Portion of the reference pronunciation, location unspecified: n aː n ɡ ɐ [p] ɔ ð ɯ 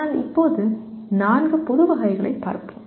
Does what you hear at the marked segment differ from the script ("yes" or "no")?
no